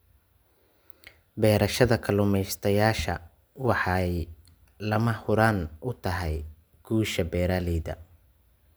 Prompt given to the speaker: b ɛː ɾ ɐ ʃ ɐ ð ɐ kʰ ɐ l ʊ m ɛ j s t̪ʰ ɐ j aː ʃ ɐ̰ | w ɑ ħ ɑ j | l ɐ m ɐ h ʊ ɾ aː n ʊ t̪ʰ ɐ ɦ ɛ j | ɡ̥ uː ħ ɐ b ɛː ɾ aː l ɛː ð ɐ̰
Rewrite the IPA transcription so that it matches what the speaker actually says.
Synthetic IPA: b ɛː ɾ ɐ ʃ ɐ ð ɐ kʰ ɐ l ʊ m ɛ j s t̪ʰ ɐ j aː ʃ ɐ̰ | w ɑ ħ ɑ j | l ɐ m ɐ h ʊ ɾ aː n ʊ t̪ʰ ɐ ɦ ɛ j | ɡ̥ uː ʃ ɐ b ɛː ɾ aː l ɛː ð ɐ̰